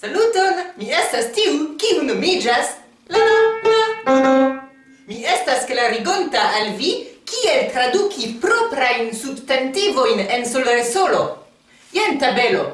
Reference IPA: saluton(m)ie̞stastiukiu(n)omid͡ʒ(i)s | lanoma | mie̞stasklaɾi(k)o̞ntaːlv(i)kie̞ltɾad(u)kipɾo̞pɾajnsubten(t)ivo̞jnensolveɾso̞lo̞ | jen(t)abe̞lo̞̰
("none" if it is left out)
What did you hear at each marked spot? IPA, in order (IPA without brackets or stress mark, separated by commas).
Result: m, n, a, ɡ, i, u, t, t